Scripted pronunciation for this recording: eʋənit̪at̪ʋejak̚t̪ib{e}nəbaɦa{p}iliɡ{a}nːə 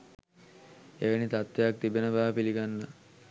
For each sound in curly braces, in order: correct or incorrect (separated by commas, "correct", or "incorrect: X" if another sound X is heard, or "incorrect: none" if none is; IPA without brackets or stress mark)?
correct, correct, correct